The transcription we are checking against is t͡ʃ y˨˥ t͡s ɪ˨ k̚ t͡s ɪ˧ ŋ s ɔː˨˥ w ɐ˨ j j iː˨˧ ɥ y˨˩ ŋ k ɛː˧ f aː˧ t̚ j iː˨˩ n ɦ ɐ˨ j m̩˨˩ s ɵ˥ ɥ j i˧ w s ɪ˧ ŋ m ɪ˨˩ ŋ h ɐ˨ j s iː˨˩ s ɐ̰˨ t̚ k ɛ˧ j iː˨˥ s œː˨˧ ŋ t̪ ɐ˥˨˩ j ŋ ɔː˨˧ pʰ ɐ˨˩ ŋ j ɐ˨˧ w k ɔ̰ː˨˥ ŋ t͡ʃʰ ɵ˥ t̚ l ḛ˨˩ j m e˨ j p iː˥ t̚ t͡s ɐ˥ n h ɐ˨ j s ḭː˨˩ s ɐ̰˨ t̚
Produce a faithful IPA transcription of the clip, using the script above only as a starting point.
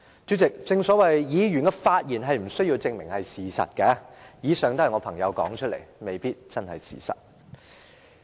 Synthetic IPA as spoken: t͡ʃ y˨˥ t͡s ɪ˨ k̚ t͡s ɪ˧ ŋ s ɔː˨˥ w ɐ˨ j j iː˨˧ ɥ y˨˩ n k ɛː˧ f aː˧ t̚ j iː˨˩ n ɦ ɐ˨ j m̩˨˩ s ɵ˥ ɥ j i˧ w t͡s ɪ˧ ŋ m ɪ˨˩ ŋ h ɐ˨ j s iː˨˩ s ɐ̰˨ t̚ k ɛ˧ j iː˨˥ s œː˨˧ ŋ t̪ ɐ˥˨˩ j ŋ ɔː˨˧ pʰ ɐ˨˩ ŋ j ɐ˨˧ w k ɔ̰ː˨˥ ŋ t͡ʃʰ ɵ˥ t̚ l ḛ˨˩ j m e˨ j p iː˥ t̚ t͡s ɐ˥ n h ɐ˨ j s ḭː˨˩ s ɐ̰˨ t̚